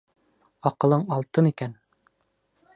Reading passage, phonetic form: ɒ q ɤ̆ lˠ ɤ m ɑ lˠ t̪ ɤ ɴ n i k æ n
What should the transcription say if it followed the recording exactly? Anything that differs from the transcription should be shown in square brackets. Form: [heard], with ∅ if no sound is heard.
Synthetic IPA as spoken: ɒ q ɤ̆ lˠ ɤ [ɴ] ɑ lˠ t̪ ɤ [∅] n i k æ n